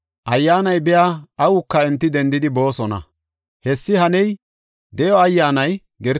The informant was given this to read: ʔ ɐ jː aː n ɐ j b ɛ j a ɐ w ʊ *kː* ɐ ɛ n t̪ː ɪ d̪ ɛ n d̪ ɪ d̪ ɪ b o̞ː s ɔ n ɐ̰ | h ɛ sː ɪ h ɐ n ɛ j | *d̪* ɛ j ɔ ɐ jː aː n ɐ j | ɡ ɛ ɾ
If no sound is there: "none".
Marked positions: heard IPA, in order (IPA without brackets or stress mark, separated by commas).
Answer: kː, d̪